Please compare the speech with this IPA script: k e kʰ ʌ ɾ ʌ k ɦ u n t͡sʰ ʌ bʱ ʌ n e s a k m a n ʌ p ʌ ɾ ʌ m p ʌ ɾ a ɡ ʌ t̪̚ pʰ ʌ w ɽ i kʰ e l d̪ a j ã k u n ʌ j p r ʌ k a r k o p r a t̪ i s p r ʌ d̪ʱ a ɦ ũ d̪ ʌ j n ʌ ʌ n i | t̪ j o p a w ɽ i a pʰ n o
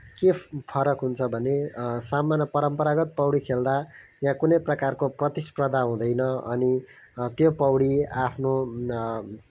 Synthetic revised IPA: k e pʰ ʌ ɾ ʌ k ɦ u n t͡sʰ ʌ bʱ ʌ n e s a m a n ʌ p ʌ ɾ ʌ m p ʌ ɾ a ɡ ʌ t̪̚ p ʌ w ɽ i kʰ e l d̪ a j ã k u n ʌ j p r ʌ k a r k o p r ʌ t̪ i s p r ʌ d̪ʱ a ɦ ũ d̪ ʌ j n ʌ ʌ n i | t̪ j o p ʌ w ɽ i a pʰ n o